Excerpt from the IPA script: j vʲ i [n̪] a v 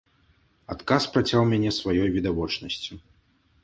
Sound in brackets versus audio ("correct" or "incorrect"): incorrect